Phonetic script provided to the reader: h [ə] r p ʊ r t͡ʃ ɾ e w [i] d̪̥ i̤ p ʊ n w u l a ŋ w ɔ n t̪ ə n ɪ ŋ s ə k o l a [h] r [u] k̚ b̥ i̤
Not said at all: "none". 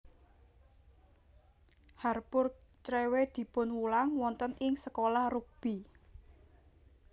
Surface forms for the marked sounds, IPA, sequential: a, e, h, u

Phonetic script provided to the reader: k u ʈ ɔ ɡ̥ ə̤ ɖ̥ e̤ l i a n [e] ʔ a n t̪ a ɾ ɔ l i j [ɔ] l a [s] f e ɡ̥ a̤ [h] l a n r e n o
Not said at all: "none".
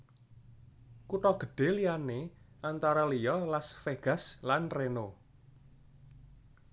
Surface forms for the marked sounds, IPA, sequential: e, ɔ, s, s

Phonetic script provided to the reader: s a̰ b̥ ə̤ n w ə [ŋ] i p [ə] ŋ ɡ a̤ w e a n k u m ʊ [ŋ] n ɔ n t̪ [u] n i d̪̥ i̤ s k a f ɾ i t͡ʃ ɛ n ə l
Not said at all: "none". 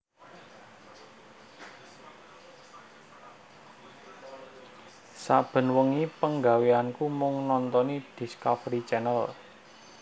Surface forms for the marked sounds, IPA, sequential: ŋ, ə, ŋ, ɔ

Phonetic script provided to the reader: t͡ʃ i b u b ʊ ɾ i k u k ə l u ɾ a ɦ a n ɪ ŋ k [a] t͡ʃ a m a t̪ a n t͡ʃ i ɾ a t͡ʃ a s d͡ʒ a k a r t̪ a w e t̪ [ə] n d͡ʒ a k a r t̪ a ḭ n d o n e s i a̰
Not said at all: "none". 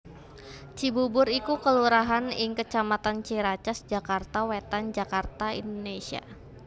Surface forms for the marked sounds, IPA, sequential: ə, a

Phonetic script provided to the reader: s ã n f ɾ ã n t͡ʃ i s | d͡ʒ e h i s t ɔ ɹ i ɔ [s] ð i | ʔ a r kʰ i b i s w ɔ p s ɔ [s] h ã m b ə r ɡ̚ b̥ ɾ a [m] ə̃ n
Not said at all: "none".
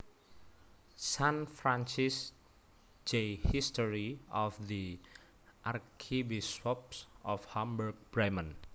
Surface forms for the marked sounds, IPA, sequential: f, f, m

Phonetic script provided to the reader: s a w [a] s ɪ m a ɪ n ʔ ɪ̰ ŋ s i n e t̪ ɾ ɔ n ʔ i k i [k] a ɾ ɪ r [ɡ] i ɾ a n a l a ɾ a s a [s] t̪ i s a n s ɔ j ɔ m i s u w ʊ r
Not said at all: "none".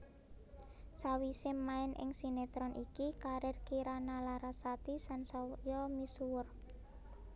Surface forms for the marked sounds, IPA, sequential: i, k, k, none

